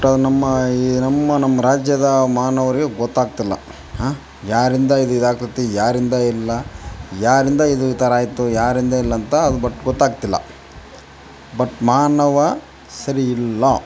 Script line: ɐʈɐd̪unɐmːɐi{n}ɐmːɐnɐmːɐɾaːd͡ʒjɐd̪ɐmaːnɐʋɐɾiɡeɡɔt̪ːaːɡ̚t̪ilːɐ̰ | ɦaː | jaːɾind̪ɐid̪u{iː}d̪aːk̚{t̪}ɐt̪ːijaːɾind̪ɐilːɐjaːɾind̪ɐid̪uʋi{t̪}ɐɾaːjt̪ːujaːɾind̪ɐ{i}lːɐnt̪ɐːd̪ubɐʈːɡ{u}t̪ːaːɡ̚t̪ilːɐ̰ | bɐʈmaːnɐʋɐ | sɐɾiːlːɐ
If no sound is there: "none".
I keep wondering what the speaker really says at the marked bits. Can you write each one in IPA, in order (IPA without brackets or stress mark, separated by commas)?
n, i, t̪, t̪, i, ɔ